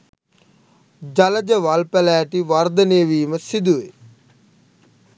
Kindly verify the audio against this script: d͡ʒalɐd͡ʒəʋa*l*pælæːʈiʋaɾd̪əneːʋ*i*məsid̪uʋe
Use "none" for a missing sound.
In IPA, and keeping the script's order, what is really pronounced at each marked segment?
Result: l, iː

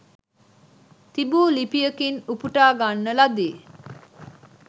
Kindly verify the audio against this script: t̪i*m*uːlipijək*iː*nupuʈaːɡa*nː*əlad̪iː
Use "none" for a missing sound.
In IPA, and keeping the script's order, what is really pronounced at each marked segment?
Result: b, i, nː

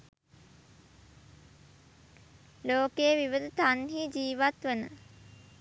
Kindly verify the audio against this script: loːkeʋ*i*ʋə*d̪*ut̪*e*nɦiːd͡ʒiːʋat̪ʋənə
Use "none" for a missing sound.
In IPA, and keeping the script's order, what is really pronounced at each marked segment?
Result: i, d̪, a

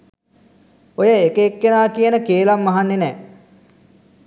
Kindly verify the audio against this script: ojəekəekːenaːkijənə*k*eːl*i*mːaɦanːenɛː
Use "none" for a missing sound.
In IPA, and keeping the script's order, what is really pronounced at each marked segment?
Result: k, a

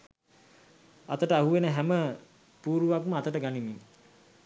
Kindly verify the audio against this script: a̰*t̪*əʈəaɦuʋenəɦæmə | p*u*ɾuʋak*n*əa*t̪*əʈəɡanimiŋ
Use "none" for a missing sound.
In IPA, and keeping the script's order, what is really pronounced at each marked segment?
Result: t̪, uː, m, t̪

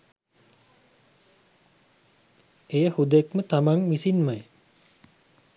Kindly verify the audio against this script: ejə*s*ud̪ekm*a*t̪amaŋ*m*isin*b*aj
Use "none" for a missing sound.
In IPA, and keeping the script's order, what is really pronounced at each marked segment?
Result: h, ə, m, m

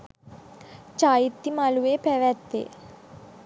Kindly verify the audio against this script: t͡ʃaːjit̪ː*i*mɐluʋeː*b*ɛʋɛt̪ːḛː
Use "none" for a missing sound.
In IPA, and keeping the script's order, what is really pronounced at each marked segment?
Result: i, p

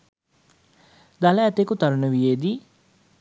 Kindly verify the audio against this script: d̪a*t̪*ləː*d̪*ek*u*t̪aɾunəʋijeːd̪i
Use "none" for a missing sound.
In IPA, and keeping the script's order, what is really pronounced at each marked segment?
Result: none, t̪, u

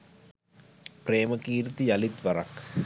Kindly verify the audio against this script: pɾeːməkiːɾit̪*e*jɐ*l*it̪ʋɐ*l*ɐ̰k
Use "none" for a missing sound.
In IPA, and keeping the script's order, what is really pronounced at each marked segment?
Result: i, l, ɾ

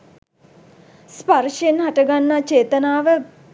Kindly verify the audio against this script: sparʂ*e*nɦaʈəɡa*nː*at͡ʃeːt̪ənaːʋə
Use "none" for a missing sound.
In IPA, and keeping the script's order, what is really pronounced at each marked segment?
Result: e, nː

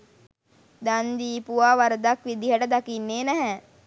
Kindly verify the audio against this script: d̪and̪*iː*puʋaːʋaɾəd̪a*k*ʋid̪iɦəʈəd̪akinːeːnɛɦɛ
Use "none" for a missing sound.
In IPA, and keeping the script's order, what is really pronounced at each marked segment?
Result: iː, k

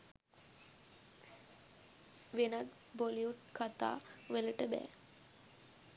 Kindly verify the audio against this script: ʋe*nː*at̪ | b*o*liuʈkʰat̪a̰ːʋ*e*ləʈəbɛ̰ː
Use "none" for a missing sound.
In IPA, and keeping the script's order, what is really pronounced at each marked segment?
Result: n, o, e

